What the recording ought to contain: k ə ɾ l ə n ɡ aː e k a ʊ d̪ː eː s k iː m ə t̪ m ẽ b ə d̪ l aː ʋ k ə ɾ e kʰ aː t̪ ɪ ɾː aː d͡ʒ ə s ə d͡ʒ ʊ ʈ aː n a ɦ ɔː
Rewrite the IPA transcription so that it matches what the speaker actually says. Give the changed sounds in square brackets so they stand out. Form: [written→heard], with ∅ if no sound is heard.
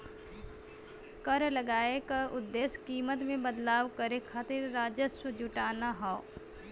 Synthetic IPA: k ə ɾ l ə [n→∅] ɡ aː e k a ʊ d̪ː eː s k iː m ə t̪ m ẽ b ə d̪ l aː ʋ k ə ɾ e kʰ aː t̪ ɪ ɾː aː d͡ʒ ə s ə d͡ʒ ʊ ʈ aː n a ɦ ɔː